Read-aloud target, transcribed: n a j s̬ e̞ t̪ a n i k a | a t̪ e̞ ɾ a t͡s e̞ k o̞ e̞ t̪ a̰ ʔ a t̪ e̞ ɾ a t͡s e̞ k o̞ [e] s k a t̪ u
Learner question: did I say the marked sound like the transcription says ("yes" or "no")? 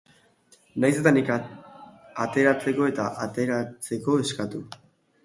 yes